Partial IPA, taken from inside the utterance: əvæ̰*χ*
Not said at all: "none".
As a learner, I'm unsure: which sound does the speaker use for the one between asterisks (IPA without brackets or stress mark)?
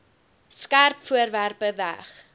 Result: χ